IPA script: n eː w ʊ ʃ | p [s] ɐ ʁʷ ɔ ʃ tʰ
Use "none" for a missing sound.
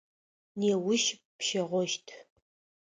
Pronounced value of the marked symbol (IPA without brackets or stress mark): ʃ